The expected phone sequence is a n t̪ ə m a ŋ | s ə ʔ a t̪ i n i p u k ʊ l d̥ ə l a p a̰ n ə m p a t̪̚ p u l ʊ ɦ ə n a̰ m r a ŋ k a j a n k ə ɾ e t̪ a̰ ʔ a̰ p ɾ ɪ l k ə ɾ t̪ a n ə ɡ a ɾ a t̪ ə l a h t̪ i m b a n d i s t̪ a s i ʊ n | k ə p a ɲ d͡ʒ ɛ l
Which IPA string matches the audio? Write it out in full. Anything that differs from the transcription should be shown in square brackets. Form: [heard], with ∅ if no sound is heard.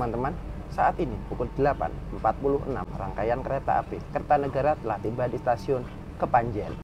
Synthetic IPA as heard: a n t̪ ə m a [n] | s [a] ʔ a t̪ i n i p u k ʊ l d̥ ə l a p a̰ n ə m p a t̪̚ p u l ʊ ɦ ə n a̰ m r a ŋ k a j a n k ə ɾ e t̪ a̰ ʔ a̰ p ɾ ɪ l k ə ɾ t̪ a n ə ɡ a ɾ a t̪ ə l a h t̪ i m b a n d i s t̪ a s i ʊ n | k ə p a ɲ d͡ʒ ɛ l